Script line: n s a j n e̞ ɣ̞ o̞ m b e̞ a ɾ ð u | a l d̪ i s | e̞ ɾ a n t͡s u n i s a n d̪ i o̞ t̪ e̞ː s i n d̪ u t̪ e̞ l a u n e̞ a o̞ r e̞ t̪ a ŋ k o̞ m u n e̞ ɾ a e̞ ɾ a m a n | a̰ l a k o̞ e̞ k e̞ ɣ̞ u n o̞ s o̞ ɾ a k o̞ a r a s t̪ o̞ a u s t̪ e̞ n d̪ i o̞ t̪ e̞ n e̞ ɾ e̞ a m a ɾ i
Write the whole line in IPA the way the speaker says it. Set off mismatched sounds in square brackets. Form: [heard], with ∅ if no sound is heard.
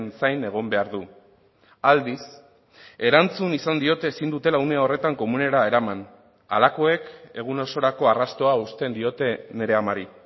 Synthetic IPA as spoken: n s a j n e̞ ɣ̞ o̞ m b e̞ a ɾ ð u | a l d̪ i s | e̞ ɾ a n t͡s u n i s a n d̪ i o̞ t̪ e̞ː s i n d̪ u t̪ e̞ l a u n e̞ a o̞ r e̞ t̪ a ŋ k o̞ m u n e̞ ɾ a e̞ ɾ a m a n | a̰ l a k o̞ e̞ k e̞ ɣ̞ u n o̞ s o̞ ɾ a k o̞ a r a s t̪ o̞ a u s t̪ e̞ n d̪ i o̞ t̪ e̞ n e̞ ɾ e̞ a m a ɾ i

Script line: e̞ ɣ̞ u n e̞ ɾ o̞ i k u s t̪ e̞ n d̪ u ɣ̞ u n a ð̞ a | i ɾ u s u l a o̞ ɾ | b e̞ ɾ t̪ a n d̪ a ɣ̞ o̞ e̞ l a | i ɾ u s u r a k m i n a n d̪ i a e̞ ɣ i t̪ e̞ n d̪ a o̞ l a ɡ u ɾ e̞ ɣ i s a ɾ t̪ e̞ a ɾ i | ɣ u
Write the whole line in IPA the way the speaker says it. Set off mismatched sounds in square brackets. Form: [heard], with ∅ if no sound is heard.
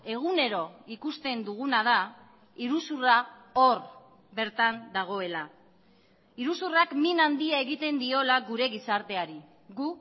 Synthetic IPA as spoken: e̞ ɣ̞ u n e̞ ɾ o̞ i k u s t̪ e̞ n d̪ u ɣ̞ u n a ð̞ a | i ɾ u s u [r] a o̞ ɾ | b e̞ ɾ t̪ a n d̪ a ɣ̞ o̞ e̞ l a | i ɾ u s u r a k m i n a n d̪ i a e̞ ɣ i t̪ e̞ n d̪ [i] o̞ l a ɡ u ɾ e̞ ɣ i s a ɾ t̪ e̞ a ɾ i | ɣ u

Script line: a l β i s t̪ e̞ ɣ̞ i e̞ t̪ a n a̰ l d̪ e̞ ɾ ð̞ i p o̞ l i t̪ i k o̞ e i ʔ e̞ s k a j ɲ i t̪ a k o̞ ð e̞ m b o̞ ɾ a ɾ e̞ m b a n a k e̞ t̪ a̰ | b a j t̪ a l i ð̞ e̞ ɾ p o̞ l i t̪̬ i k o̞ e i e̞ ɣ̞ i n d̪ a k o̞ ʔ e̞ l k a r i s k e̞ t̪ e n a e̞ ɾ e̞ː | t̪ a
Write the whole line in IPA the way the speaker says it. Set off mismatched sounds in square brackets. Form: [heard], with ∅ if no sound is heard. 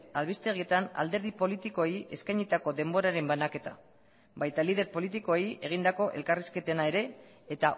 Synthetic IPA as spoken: a l β i s t̪ e̞ ɣ̞ i e̞ t̪ a n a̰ l d̪ e̞ ɾ ð̞ i p o̞ l i t̪ i k o̞ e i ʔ e̞ s k a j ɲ i t̪ a k o̞ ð e̞ m b o̞ ɾ a ɾ e̞ m b a n a k e̞ t̪ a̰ | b a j t̪ a l i ð̞ e̞ ɾ p o̞ l i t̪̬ i k o̞ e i e̞ ɣ̞ i n d̪ a k o̞ ʔ e̞ l k a r i s k e̞ t̪ e n a e̞ ɾ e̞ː | t̪ a

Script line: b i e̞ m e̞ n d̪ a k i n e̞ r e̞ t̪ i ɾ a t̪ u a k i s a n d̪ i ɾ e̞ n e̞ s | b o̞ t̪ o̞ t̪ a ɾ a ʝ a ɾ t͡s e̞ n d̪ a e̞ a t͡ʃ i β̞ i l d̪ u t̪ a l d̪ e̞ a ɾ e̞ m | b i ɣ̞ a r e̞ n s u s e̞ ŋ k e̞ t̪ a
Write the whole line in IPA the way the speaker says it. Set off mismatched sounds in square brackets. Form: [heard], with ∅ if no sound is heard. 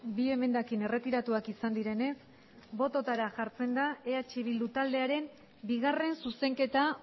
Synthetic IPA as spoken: b i e̞ m e̞ n d̪ a k i n e̞ r e̞ t̪ i ɾ a t̪ u a k i s a n d̪ i ɾ e̞ n e̞ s | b o̞ t̪ o̞ t̪ a ɾ a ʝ a ɾ t͡s e̞ n d̪ a e̞ a t͡ʃ i β̞ i l d̪ u t̪ a l d̪ e̞ a ɾ e̞ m | b i ɣ̞ a r e̞ n s u s e̞ ŋ k e̞ t̪ a

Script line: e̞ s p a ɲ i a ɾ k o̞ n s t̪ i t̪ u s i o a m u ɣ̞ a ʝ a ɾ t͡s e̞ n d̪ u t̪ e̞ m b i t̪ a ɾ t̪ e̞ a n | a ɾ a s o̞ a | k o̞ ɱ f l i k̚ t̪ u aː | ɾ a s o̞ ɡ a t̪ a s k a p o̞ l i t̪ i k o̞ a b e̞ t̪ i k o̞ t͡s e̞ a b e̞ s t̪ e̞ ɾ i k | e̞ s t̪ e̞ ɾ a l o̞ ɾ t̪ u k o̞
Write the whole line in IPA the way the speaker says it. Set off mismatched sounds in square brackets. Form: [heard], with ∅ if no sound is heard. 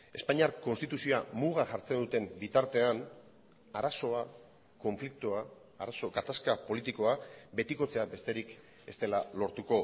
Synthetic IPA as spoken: e̞ s p a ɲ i a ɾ k o̞ n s t̪ i t̪ u s i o a m u ɣ̞ a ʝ a ɾ t͡s e̞ n d̪ u t̪ e̞ m b i t̪ a ɾ t̪ e̞ a n | a ɾ a s o̞ a | k o̞ ɱ f l i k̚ t̪ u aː | ɾ a s o̞ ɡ a t̪ a s k a p o̞ l i t̪ i k o̞ a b e̞ t̪ i k o̞ t͡s e̞ a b e̞ s t̪ e̞ ɾ i k | e̞ s t̪ e̞ [l] a l o̞ ɾ t̪ u k o̞

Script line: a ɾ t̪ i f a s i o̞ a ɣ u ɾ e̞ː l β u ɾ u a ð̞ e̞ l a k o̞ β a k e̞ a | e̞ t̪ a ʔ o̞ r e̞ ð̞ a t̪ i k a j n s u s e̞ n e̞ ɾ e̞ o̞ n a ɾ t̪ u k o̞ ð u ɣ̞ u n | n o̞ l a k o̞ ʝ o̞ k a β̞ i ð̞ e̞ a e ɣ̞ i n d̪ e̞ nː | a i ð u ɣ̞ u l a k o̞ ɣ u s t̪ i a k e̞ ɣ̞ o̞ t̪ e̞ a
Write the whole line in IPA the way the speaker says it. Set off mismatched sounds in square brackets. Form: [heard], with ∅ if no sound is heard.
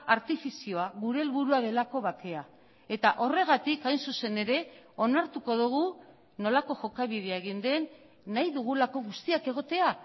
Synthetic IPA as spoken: a ɾ t̪ i f [i] s i o̞ a ɣ u ɾ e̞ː l β u ɾ u a ð̞ e̞ l a k o̞ β a k e̞ a | e̞ t̪ a ʔ o̞ r e̞ [ɣ̞] a t̪ i k a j n s u s e̞ n e̞ ɾ e̞ o̞ n a ɾ t̪ u k o̞ ð u ɣ̞ u [∅] | n o̞ l a k o̞ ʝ o̞ k a β̞ i ð̞ e̞ a e ɣ̞ i n d̪ e̞ nː | a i ð u ɣ̞ u l a k o̞ ɣ u s t̪ i a k e̞ ɣ̞ o̞ t̪ e̞ a

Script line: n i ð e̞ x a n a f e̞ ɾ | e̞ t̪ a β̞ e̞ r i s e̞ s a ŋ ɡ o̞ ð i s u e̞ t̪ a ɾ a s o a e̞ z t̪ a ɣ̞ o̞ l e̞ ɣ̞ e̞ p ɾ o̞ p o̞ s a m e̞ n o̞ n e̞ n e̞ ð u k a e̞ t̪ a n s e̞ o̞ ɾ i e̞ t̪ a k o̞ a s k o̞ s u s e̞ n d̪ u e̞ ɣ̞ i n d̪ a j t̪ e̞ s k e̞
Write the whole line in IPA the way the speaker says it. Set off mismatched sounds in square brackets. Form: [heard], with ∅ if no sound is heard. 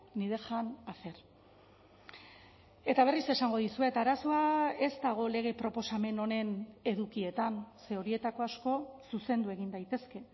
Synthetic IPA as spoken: n i ð e̞ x a n a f e̞ ɾ | e̞ t̪ a β̞ e̞ r i s e̞ s a ŋ ɡ o̞ ð i s u e̞ t̪ a ɾ a s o a e̞ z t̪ a ɣ̞ o̞ l e̞ ɣ̞ e̞ p ɾ o̞ p o̞ s a m e̞ n o̞ n e̞ n e̞ ð u k [i] e̞ t̪ a n s e̞ o̞ ɾ i e̞ t̪ a k o̞ a s k o̞ s u s e̞ n d̪ u e̞ ɣ̞ i n d̪ a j t̪ e̞ s k e̞

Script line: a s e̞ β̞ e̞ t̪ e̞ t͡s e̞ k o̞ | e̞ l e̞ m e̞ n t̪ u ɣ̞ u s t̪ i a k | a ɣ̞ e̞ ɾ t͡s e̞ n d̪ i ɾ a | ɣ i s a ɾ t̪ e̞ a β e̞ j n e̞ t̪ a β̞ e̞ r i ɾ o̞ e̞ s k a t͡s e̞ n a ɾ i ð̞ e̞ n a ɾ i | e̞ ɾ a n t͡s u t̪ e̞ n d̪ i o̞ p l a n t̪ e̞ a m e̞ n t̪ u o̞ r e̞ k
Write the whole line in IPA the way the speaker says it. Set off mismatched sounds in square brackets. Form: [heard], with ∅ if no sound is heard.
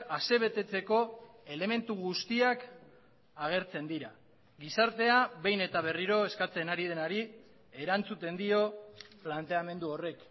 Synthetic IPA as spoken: a s e̞ β̞ e̞ t̪ e̞ t͡s e̞ k o̞ | e̞ l e̞ m e̞ n t̪ u ɣ̞ u s t̪ i a k | a ɣ̞ e̞ ɾ t͡s e̞ n d̪ i ɾ a | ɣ i s a ɾ t̪ e̞ a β e̞ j n e̞ t̪ a β̞ e̞ r i ɾ o̞ e̞ s k a t͡s e̞ n a ɾ i ð̞ e̞ n a ɾ i | e̞ ɾ a n t͡s u t̪ e̞ n d̪ i o̞ p l a n t̪ e̞ a m e̞ n [d̪] u o̞ r e̞ k

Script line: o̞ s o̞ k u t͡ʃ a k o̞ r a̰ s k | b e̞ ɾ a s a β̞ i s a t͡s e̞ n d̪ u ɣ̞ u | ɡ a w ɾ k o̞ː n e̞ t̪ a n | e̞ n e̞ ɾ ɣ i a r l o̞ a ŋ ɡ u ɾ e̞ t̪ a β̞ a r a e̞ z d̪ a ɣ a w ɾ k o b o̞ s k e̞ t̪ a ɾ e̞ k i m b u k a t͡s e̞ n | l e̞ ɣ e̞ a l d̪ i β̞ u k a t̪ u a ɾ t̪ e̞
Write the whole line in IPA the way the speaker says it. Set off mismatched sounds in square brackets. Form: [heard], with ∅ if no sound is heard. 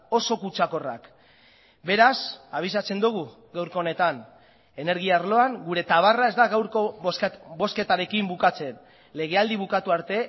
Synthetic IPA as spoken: o̞ s o̞ k u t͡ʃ a k o̞ r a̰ [∅] k | b e̞ ɾ a s a β̞ i s a t͡s e̞ n d̪ u ɣ̞ u | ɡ a w ɾ k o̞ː n e̞ t̪ a n | e̞ n e̞ ɾ ɣ i a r l o̞ a ŋ ɡ u ɾ e̞ t̪ a β̞ a r a e̞ z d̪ a ɣ a w ɾ k o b o̞ s k e̞ t̪ a ɾ e̞ k i m b u k a t͡s e̞ n | l e̞ ɣ e̞ a l d̪ i β̞ u k a t̪ u a ɾ t̪ e̞

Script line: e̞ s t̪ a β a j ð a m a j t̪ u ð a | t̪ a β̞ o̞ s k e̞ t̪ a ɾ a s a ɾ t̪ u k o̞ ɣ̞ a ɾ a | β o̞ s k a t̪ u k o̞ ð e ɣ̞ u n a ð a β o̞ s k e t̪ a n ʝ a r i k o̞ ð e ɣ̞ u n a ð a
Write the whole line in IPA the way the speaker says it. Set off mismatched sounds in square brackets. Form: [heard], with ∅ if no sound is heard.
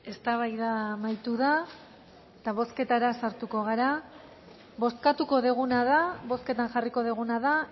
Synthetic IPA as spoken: e̞ s t̪ a β a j ð a m a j t̪ u ð a | t̪ a β̞ o̞ s k e̞ t̪ a ɾ a s a ɾ t̪ u k o̞ ɣ̞ a ɾ a | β o̞ s k a t̪ u k o̞ ð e ɣ̞ u n a ð a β o̞ s k e t̪ a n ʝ a r i k o̞ ð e ɣ̞ u n a ð a

